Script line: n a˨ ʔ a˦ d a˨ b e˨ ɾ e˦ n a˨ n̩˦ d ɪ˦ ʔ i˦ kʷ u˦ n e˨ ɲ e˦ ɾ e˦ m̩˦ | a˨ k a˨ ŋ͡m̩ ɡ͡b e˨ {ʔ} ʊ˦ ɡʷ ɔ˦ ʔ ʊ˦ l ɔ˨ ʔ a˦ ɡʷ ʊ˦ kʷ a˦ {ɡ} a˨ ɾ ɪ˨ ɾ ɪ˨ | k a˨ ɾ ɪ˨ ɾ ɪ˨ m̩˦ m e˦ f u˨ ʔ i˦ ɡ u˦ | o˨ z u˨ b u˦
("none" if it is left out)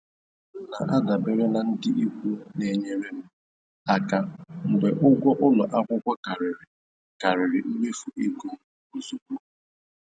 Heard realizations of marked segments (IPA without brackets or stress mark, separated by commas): ʔ, k